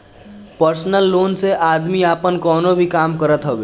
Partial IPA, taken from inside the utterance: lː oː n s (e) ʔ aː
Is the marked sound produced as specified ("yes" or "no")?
yes